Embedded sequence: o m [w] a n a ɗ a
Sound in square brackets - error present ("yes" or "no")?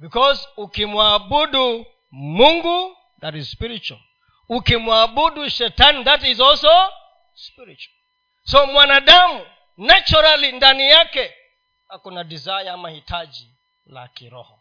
no